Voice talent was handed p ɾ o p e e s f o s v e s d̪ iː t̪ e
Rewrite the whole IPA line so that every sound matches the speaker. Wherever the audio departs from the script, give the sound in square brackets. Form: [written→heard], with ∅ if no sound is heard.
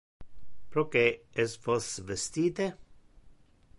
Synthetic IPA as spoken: p ɾ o [p→k] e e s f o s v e s [d̪→t̪] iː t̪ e